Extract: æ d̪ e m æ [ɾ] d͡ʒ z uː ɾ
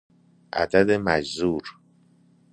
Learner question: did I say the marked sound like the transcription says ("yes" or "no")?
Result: no